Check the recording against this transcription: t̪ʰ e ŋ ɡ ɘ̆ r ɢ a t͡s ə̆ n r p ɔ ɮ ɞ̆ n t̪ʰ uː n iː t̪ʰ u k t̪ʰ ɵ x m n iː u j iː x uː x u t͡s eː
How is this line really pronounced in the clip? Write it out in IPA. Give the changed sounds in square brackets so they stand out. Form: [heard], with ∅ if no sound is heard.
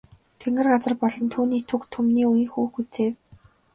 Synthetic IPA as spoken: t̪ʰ e ŋ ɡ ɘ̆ r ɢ a t͡s ə̆ [∅] r p ɔ ɮ ɞ̆ n t̪ʰ uː n iː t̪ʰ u k t̪ʰ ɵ [∅] m n iː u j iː x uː x u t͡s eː